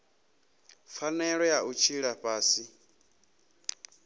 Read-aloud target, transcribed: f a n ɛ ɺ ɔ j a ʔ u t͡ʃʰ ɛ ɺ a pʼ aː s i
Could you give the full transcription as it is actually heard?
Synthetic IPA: f a n ɛ ɺ ɔ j a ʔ u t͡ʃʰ i ɺ a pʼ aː s i